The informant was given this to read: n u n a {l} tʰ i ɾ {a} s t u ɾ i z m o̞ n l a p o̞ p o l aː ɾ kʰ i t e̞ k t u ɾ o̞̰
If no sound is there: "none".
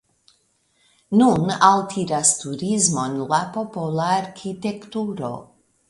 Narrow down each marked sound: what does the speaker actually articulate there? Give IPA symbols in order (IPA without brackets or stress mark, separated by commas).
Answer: l, a